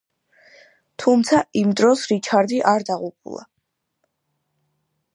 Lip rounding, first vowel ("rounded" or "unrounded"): rounded